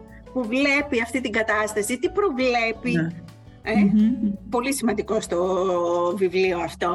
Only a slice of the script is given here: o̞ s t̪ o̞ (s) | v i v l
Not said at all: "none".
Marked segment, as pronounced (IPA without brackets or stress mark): none